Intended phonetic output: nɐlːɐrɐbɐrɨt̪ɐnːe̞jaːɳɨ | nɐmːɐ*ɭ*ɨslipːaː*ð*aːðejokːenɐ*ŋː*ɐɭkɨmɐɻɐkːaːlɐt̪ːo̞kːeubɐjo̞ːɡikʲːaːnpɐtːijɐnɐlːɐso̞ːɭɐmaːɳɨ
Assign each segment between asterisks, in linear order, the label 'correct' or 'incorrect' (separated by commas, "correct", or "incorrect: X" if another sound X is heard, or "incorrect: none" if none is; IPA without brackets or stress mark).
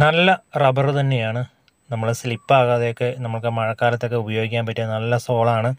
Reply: correct, incorrect: ɣ, incorrect: mː